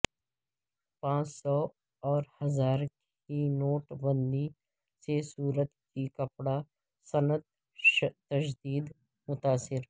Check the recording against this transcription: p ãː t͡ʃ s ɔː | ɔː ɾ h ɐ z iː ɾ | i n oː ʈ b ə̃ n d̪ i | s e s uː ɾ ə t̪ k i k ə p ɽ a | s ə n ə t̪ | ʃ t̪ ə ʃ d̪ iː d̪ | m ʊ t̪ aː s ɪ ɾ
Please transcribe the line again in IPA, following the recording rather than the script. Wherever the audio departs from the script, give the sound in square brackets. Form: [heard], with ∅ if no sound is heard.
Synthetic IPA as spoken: p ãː t͡ʃ s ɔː | ɔː ɾ h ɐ z [aː] ɾ | i n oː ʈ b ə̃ n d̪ i | s e s uː ɾ ə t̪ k i k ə p ɽ a | s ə n ə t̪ | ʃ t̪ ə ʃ d̪ iː d̪ | m ʊ t̪ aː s ɪ ɾ